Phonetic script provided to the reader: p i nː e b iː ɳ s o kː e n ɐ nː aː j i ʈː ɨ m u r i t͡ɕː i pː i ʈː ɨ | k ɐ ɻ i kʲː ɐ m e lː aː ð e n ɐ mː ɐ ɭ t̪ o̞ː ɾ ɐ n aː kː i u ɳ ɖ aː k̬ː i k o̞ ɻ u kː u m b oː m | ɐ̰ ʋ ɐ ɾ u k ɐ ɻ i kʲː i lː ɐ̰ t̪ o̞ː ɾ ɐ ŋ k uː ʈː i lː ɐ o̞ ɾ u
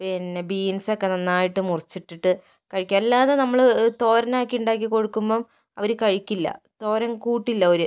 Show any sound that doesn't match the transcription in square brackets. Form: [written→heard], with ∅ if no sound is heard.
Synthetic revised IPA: p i nː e b iː [ɳ→n] s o kː e n ɐ nː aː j i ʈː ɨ m u r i t͡ɕː i [pː→ʈː] i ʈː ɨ | k ɐ ɻ i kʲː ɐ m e lː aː ð e n ɐ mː ɐ ɭ t̪ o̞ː ɾ ɐ n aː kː i u ɳ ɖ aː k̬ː i k o̞ ɻ u kː u m b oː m | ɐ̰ ʋ ɐ ɾ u k ɐ ɻ i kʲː i lː ɐ̰ t̪ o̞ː ɾ ɐ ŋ k uː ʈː i lː ɐ o̞ ɾ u